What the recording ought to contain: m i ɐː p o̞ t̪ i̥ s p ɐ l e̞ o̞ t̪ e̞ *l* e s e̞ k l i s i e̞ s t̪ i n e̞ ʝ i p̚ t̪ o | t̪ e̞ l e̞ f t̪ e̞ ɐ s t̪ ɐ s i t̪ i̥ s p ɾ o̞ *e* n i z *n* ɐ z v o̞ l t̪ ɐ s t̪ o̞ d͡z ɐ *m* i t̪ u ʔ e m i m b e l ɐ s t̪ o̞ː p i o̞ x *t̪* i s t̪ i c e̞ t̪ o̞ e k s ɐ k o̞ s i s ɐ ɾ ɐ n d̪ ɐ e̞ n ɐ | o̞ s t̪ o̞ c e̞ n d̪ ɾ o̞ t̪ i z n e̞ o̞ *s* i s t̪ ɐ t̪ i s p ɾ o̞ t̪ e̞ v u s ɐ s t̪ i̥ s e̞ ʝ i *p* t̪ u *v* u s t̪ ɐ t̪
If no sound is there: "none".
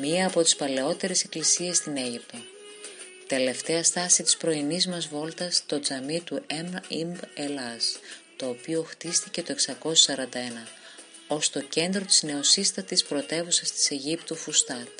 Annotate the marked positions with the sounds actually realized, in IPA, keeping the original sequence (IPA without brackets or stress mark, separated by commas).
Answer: ɾ, i, m, m, t̪, s, p, f